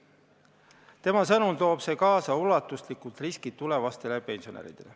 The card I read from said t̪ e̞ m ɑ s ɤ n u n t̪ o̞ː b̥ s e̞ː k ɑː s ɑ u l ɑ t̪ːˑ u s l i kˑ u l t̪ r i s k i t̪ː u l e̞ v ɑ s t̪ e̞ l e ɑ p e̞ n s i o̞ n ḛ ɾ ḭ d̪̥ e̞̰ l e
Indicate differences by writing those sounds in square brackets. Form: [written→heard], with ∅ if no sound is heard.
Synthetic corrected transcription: t̪ e̞ m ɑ s ɤ n u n t̪ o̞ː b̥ s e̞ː k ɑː s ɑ u l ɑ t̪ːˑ u s l i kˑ u l t̪ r i s k i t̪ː u l e̞ v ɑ s t̪ e̞ l e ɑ p e̞ n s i o̞ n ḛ ɾ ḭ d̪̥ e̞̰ l e